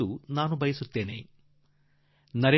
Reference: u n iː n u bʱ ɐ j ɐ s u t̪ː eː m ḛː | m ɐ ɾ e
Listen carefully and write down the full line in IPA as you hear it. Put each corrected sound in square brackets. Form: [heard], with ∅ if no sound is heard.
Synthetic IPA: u n [aː] n u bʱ ɐ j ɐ s u t̪ː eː [n] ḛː | [n] ɐ ɾ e